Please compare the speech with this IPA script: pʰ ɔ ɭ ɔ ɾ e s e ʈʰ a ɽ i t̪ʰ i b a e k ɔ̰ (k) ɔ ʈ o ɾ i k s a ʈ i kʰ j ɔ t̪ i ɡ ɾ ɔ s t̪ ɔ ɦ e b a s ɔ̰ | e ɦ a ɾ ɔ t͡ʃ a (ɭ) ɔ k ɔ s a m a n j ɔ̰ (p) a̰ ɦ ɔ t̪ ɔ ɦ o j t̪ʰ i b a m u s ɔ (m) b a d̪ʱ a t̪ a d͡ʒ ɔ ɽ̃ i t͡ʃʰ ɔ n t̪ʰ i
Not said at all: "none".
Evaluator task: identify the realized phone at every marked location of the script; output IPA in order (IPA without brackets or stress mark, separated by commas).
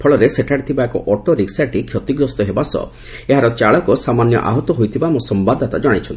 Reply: ʔ, ɭ, ʔ, m